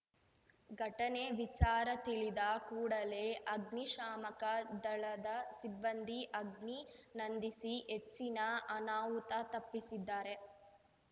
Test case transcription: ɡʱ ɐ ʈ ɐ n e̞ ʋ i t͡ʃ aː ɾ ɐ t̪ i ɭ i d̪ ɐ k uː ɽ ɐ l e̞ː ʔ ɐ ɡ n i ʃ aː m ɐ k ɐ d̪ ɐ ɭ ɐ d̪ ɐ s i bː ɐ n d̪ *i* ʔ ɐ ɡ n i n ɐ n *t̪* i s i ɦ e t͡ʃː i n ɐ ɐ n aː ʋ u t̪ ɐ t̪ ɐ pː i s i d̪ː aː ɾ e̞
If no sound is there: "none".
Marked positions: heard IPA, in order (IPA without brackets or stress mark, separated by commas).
i, d̪